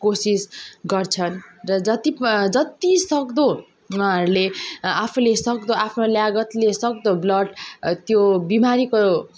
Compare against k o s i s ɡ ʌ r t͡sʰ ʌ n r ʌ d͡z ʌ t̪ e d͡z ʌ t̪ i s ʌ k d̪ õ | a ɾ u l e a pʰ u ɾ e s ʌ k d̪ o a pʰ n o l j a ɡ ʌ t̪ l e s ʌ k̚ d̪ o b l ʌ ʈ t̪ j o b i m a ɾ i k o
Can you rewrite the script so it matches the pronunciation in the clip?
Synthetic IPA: k o s i s ɡ ʌ r t͡sʰ ʌ n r ʌ d͡z ʌ t̪ i d͡z ʌ t̪ i s ʌ k d̪ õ | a ɾ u l e a pʰ u l e s ʌ k d̪ o a pʰ n o l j a ɡ ʌ t̪ l e s ʌ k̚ d̪ o b l ʌ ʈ t̪ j o b i m a ɾ i k o